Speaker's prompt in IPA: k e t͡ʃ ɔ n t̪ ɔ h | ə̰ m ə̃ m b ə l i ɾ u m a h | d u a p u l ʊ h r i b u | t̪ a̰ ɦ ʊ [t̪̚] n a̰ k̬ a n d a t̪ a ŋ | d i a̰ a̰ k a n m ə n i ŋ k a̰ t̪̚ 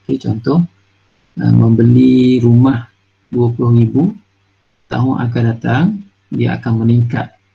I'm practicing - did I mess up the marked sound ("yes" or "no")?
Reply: yes